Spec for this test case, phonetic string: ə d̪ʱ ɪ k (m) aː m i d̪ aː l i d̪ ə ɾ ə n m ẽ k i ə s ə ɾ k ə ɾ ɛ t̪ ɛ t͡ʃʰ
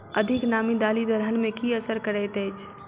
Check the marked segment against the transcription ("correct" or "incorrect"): incorrect